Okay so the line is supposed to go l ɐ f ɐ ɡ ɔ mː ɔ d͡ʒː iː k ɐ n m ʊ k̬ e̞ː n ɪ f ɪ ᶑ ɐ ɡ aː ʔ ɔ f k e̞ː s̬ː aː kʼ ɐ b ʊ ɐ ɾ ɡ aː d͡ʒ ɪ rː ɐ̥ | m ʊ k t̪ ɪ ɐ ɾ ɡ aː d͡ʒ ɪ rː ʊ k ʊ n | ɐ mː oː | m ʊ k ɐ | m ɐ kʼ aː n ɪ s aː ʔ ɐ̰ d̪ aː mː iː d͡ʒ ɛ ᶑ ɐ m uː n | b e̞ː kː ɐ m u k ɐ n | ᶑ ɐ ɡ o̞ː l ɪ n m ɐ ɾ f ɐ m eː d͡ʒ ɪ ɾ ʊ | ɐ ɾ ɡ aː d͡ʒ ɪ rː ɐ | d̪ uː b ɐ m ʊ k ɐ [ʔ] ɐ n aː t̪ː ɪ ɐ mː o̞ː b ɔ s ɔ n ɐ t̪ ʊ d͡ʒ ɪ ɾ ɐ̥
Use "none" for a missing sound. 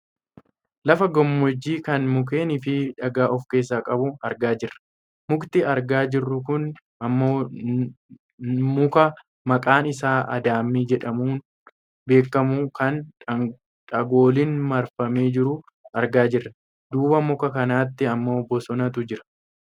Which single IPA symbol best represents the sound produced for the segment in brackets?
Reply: k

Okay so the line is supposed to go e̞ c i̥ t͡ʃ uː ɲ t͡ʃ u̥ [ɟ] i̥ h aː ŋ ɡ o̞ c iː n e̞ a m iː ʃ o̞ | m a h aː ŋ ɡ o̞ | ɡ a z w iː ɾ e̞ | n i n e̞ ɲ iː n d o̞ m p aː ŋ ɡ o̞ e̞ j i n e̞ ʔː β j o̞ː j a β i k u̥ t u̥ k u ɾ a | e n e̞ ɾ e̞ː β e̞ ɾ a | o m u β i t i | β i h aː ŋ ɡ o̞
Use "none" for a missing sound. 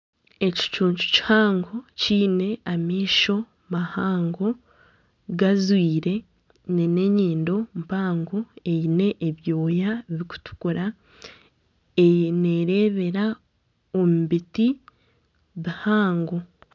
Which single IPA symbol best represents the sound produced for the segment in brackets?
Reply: c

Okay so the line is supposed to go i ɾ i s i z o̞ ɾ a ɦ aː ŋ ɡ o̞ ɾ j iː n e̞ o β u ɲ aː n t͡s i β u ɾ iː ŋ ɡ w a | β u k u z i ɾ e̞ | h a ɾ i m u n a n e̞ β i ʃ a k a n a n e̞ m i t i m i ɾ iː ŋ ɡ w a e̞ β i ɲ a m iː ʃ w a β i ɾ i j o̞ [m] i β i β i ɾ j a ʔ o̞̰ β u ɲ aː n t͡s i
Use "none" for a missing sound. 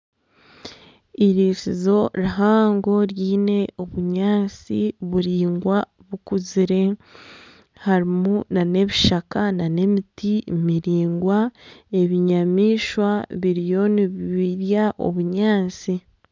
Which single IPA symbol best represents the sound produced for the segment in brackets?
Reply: n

